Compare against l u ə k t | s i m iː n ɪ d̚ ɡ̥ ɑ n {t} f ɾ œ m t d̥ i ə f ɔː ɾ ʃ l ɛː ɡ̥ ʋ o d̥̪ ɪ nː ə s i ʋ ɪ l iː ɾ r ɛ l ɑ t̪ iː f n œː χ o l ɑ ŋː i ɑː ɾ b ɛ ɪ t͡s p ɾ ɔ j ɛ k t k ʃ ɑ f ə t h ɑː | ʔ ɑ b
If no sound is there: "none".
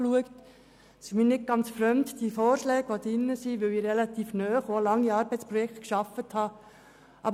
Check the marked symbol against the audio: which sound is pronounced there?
t͡s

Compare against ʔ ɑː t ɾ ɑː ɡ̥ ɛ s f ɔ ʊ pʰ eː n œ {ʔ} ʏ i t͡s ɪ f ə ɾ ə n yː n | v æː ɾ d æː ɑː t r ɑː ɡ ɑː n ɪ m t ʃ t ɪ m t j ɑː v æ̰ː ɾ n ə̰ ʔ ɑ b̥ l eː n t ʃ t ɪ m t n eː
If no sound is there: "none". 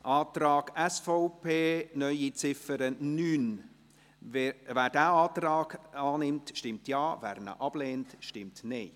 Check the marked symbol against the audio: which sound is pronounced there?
none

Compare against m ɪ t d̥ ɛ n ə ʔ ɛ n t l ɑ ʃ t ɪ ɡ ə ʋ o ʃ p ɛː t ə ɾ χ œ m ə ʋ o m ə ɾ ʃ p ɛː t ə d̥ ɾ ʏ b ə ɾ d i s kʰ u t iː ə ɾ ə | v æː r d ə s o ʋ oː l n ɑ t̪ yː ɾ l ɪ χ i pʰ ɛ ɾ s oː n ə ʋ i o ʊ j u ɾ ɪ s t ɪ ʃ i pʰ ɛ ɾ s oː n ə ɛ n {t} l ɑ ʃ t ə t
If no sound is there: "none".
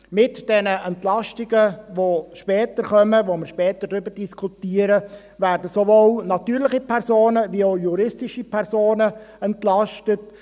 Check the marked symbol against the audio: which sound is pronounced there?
t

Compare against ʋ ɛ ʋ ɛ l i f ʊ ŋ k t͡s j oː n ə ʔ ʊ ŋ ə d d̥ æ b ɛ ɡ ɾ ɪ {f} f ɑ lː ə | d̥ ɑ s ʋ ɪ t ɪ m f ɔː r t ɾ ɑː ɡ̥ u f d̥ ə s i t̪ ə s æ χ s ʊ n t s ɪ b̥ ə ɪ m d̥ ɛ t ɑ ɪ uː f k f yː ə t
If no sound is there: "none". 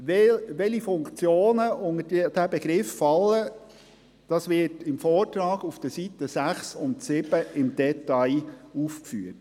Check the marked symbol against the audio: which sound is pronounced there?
f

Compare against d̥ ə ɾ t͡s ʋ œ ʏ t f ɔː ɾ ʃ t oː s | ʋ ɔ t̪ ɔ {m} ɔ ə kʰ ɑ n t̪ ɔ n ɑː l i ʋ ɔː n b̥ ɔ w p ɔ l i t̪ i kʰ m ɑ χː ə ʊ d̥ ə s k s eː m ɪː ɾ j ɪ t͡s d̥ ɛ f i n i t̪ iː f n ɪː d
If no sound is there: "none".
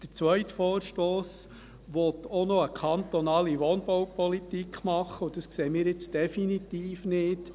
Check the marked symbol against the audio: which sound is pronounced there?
n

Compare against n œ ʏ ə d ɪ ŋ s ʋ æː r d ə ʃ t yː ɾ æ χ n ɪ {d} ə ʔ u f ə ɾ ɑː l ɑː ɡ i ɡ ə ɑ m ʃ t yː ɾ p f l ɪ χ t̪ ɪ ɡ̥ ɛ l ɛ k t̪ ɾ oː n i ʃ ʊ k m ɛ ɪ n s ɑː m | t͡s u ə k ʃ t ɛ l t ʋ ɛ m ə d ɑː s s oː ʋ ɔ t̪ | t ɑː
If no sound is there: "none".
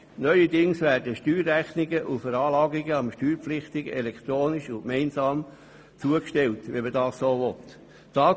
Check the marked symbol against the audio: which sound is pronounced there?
ɡ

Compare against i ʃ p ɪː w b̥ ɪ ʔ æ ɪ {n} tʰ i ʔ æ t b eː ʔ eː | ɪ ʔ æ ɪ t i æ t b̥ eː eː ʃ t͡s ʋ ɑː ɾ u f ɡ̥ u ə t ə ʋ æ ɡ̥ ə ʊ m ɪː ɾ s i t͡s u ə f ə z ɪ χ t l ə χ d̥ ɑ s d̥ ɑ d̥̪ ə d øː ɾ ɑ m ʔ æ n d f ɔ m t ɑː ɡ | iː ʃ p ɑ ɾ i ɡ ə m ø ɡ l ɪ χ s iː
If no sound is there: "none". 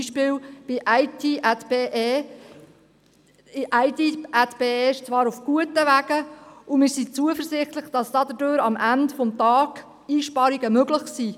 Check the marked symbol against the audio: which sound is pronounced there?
none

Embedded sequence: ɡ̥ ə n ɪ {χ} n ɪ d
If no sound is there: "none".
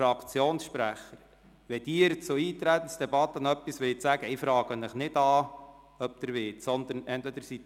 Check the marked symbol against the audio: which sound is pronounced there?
χ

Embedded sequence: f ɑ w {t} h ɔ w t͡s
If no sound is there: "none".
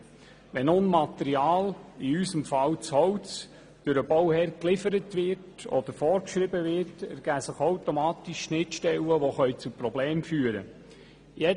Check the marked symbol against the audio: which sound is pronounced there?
t͡s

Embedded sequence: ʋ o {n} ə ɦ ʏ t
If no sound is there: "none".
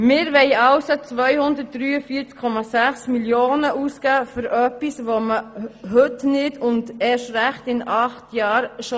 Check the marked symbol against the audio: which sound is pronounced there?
m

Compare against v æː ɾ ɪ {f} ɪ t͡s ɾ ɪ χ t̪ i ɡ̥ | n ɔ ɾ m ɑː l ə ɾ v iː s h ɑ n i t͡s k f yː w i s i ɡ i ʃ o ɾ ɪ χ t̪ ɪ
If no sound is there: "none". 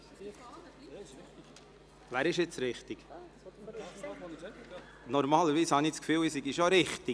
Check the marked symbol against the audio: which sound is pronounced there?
ʃ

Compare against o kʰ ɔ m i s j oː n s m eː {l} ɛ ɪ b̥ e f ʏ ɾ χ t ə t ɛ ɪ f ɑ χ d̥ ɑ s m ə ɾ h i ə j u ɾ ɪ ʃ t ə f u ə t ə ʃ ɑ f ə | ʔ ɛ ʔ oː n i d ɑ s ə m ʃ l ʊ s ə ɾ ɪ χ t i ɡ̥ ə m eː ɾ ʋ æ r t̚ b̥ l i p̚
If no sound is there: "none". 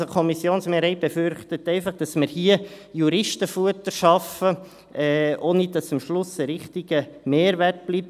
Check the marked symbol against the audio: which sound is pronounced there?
ɾ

